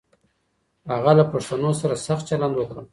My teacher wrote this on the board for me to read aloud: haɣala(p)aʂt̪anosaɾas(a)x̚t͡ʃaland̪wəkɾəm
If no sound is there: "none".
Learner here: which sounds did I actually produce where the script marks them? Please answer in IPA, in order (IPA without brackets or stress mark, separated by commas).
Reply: p, a